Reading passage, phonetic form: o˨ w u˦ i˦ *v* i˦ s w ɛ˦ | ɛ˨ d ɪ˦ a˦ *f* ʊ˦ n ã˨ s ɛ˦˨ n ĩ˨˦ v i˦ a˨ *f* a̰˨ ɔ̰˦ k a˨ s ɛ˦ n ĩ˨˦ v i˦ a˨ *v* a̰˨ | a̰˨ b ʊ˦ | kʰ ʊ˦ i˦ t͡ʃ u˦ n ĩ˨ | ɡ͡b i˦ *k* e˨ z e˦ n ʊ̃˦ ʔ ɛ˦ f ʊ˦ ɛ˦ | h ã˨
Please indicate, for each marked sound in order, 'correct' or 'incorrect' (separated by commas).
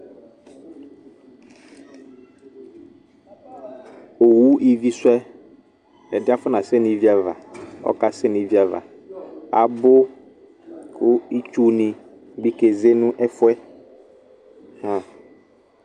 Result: correct, correct, incorrect, correct, correct